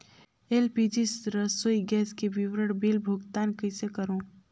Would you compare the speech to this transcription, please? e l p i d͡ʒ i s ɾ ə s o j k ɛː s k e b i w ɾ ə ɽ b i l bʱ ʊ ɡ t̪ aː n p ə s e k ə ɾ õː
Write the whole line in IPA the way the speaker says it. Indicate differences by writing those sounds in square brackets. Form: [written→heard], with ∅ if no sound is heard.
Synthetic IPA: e l p i d͡ʒ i s ɾ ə s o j [k→ɡ] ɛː s k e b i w ɾ ə ɽ b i l bʱ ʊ ɡ t̪ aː n [p→k] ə s e k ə ɾ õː